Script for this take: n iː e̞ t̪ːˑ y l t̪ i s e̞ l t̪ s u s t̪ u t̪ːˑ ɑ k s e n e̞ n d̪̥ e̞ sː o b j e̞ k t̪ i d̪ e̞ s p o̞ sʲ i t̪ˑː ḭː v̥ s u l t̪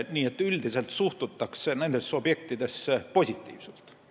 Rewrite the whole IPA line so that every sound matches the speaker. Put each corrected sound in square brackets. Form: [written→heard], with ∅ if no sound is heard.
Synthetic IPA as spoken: n iː e̞ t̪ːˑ y l [t̪→d̪] i s e̞ l t̪ s u [s→h] t̪ u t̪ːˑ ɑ k s e n e̞ n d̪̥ e̞ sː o b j e̞ k t̪ i d̪ e̞ s p o̞ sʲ i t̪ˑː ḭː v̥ s u l t̪